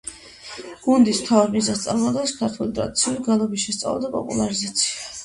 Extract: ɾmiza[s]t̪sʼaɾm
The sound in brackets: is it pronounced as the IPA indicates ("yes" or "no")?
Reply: yes